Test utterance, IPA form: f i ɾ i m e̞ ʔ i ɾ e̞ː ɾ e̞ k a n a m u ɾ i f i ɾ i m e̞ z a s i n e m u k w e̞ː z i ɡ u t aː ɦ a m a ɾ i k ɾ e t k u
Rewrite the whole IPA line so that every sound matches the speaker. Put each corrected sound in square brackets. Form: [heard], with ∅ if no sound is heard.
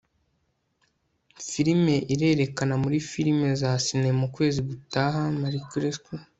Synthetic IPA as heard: f i ɾ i m e̞ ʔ i ɾ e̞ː ɾ e̞ k a n a m u ɾ i f i ɾ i m e̞ z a s i n e m u k w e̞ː z i ɡ u t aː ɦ a m a ɾ i k ɾ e [s] k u